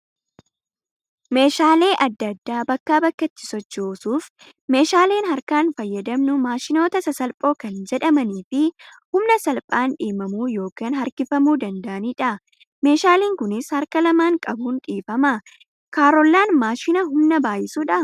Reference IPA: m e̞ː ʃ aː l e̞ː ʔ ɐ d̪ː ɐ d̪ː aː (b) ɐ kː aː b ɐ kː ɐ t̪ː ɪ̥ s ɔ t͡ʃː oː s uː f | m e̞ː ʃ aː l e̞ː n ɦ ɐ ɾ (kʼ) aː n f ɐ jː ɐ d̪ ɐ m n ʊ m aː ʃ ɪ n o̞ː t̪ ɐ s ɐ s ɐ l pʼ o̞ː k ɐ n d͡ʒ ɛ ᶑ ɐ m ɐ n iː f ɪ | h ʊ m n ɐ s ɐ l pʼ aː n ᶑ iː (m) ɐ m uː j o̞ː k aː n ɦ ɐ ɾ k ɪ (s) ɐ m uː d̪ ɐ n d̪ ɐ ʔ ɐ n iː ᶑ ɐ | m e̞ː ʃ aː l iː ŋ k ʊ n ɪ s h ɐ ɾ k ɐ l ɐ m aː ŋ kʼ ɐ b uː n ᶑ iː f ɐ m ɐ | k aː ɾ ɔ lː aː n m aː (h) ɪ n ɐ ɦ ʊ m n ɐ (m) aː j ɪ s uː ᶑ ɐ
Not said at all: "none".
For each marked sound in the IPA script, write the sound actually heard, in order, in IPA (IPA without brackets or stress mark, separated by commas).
b, k, m, f, ʃ, b